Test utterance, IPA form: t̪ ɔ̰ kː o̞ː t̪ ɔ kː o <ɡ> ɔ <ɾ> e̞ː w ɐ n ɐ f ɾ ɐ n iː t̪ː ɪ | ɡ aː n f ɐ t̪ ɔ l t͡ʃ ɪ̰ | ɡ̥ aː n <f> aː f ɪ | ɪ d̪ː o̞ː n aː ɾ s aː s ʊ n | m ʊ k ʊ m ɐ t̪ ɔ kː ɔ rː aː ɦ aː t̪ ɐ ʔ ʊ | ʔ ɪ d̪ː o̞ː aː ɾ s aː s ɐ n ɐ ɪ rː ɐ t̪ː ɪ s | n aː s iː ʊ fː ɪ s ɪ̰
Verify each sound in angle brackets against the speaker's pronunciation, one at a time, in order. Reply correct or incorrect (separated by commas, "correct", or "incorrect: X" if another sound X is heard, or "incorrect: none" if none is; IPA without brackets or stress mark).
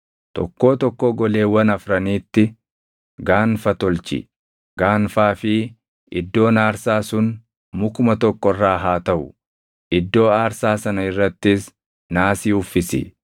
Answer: correct, incorrect: l, correct